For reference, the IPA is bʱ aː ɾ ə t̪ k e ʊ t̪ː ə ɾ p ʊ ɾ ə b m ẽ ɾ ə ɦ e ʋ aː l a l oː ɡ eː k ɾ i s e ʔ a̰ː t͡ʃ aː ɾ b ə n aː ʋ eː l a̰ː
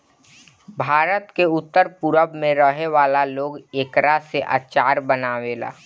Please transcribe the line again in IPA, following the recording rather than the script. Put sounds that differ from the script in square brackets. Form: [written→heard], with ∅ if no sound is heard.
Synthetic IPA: bʱ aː ɾ ə t̪ k e ʊ t̪ː ə ɾ p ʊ ɾ ə b m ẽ ɾ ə ɦ e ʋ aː l a l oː ɡ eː k ɾ [i→a] s e ʔ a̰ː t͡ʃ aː ɾ b ə n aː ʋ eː l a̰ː

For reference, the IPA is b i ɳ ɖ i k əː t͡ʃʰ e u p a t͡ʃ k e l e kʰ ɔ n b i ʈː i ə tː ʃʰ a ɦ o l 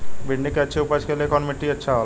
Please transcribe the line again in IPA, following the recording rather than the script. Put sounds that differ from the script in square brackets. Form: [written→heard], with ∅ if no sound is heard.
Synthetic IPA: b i ɳ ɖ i k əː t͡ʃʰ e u p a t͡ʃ k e l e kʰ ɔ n [b→m] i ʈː i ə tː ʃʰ a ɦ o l

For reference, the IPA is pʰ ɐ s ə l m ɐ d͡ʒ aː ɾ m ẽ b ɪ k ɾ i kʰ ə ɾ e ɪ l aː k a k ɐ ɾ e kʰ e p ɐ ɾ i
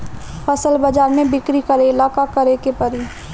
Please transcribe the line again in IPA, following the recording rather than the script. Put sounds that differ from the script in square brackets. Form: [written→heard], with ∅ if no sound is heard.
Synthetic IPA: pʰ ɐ s ə l [m→b] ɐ d͡ʒ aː ɾ m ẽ b ɪ k ɾ i [kʰ→k] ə ɾ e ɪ l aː k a k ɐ ɾ e [kʰ→k] e p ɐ ɾ i

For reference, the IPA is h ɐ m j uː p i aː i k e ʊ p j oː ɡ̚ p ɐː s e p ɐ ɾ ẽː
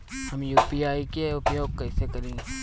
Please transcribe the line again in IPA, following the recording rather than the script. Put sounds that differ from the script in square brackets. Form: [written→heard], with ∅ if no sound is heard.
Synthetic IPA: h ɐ m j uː p i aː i k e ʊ p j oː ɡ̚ [p→k] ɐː s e [p→k] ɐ ɾ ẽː

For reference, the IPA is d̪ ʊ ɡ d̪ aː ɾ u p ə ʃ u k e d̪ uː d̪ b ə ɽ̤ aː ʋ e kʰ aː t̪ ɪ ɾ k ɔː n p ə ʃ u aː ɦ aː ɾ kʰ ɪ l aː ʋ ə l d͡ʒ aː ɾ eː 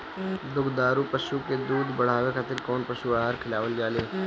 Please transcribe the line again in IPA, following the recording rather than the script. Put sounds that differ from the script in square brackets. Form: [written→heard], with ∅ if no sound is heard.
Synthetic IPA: d̪ ʊ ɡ d̪ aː ɾ u p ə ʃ u k e d̪ uː d̪ b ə ɽ̤ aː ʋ e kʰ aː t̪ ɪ ɾ k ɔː n p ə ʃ u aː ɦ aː ɾ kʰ ɪ l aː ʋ ə l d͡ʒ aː [ɾ→l] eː

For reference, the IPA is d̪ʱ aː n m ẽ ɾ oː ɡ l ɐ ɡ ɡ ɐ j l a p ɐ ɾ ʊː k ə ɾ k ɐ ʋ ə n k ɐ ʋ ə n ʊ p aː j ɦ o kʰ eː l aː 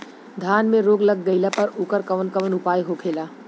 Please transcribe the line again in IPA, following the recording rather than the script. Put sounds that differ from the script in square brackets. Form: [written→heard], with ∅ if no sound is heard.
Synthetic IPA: d̪ʱ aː n m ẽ ɾ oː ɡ l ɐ ɡ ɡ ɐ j l a p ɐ ɾ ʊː k ə ɾ k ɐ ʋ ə n k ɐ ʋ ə n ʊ p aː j ɦ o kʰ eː l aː

